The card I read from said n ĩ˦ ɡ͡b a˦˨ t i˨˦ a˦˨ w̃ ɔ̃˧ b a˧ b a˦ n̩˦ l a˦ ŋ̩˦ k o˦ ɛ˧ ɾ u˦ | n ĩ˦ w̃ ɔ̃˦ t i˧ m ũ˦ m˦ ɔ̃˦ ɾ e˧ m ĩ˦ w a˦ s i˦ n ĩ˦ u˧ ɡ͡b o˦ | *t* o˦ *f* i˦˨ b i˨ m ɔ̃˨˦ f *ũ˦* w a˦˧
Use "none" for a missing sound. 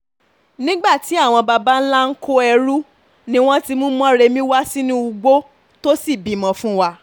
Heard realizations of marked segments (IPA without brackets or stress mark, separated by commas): t, s, ũ˦